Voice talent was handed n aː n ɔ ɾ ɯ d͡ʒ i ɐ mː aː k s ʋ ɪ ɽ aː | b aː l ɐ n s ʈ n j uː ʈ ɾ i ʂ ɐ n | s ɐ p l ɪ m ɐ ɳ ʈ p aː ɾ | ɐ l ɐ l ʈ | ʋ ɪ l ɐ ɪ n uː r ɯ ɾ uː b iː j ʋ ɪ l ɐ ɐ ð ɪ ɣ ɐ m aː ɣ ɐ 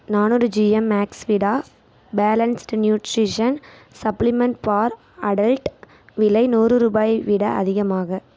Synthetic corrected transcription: n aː n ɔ ɾ ɯ d͡ʒ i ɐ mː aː k s ʋ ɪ ɽ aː | b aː l ɐ n s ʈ n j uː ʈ ɾ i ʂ ɐ n | s ɐ p l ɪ m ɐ ɳ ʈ p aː ɾ | ɐ ɽ ɐ l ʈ | ʋ ɪ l ɐ ɪ n uː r ɯ ɾ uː b aː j ʋ ɪ ɽ ɐ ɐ ð ɪ ɣ ɐ m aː ɣ ɐ